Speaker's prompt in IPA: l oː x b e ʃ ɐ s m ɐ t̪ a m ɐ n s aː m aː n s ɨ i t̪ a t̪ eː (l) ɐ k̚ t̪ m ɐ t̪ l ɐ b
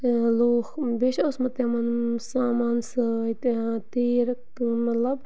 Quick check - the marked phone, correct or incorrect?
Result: incorrect